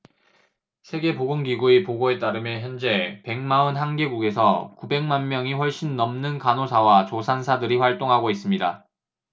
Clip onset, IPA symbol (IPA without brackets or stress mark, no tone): sʰ